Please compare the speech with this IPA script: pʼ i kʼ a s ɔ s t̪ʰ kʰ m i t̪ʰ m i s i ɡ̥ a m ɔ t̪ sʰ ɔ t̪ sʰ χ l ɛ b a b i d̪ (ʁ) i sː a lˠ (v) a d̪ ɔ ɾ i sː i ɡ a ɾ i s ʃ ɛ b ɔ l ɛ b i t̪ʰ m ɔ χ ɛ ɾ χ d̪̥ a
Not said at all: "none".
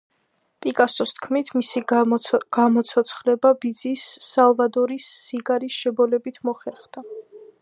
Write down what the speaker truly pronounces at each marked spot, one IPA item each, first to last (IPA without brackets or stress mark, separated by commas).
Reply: z, v